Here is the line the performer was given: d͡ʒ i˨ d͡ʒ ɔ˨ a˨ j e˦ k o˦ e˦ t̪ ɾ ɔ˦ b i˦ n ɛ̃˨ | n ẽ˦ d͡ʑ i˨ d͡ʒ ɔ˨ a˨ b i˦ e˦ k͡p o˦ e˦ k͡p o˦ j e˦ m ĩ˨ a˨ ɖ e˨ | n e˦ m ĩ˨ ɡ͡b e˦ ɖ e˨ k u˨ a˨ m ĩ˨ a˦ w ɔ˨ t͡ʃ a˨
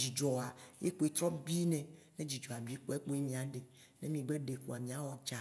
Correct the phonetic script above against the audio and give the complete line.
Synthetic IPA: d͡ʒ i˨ d͡ʒ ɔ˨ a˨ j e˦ k͡p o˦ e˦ t̪ ɾ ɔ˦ b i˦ n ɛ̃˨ | n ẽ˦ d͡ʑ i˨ d͡ʒ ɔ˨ a˨ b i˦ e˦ k͡p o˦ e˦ k͡p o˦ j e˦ m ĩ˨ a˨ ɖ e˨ | n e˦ m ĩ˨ ɡ͡b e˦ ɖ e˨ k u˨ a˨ m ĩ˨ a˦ w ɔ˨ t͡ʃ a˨